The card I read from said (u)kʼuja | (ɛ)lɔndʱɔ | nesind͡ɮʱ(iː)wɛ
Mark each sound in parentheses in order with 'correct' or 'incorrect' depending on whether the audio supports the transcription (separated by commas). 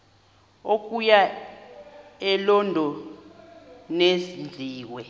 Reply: incorrect, correct, correct